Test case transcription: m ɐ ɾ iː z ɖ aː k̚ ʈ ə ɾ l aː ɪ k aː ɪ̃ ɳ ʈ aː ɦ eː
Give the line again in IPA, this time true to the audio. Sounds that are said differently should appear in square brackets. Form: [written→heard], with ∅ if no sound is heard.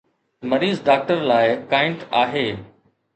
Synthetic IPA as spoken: m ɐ ɾ iː z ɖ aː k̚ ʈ ə ɾ l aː ɪ k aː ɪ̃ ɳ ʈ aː ɦ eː